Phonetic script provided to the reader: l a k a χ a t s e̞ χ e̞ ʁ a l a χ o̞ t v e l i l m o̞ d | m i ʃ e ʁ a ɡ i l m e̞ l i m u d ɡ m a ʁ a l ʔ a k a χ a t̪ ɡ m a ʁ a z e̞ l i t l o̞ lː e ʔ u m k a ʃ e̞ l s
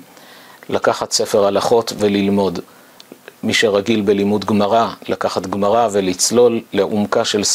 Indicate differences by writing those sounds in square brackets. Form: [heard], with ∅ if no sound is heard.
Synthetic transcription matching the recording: l a k a χ a t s e̞ [f] e̞ ʁ a l a χ o̞ t v e l i l m o̞ d | m i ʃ e ʁ a ɡ i l [b] e̞ l i m u d ɡ m a ʁ a l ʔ a k a χ a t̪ ɡ m a ʁ a [v] e̞ l i [t͡s] l o̞ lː e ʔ u m k a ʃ e̞ l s